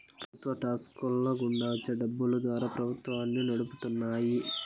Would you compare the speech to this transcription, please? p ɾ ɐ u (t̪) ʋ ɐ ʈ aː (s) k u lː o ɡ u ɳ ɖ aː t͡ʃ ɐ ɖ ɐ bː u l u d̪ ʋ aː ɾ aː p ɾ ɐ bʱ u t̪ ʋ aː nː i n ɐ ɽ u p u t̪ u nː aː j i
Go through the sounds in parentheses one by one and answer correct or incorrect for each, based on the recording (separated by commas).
correct, correct